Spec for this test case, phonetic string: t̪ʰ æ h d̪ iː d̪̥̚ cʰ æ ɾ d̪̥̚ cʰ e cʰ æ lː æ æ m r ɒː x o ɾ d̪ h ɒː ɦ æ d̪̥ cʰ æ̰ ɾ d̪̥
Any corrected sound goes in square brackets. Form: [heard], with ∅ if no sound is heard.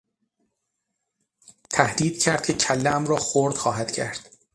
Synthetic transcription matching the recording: t̪ʰ æ h d̪ iː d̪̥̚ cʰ æ ɾ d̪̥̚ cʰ e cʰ æ lː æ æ m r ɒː x o ɾ d̪ [x] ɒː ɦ æ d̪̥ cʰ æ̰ ɾ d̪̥